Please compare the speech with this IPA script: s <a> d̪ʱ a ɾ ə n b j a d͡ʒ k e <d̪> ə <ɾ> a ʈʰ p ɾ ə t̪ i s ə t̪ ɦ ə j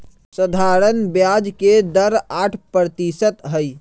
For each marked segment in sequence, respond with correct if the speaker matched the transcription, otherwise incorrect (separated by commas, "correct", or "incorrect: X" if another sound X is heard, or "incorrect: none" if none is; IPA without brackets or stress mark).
incorrect: ə, correct, correct